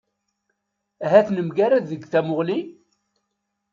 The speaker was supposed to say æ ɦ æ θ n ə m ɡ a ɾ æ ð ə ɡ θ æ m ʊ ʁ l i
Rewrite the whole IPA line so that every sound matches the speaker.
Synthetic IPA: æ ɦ æ θ n ə m ɡ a ɾ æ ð ə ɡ θ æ m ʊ ʁ l i